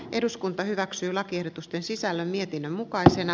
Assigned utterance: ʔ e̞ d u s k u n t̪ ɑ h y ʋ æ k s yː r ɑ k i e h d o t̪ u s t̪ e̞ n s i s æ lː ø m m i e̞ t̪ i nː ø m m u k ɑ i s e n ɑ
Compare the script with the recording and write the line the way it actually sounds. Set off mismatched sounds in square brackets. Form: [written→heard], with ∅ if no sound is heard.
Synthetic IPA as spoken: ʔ e̞ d u s k u n t̪ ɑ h y ʋ æ k s yː [r→l] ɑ k i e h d o t̪ u s t̪ e̞ n s i s æ lː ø m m i e̞ t̪ i nː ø m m u k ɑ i s e n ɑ